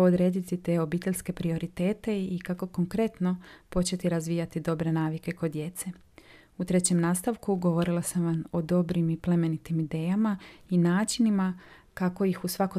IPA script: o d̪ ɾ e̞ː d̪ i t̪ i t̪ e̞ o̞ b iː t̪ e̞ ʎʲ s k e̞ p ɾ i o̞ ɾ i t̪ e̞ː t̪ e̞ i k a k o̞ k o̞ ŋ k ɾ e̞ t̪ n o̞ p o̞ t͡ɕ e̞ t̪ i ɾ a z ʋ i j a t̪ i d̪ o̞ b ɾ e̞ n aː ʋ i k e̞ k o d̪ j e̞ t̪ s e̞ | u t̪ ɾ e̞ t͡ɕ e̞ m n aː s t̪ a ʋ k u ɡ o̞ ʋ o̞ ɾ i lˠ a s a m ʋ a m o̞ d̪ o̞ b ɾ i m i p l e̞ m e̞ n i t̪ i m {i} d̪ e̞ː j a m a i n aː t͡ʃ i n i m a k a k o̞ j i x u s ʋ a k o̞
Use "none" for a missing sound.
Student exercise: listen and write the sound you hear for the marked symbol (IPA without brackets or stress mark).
i